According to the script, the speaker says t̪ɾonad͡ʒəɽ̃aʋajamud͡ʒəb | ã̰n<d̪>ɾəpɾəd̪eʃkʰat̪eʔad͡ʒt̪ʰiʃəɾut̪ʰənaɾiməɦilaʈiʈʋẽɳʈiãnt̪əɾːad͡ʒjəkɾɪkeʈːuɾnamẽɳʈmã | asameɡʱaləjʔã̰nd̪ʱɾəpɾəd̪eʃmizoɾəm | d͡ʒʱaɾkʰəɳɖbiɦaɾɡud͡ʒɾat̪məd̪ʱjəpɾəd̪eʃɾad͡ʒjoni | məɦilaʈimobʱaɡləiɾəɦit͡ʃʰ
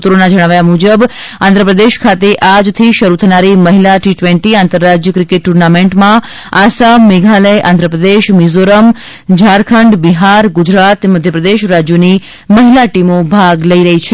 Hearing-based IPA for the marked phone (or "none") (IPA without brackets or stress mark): d̪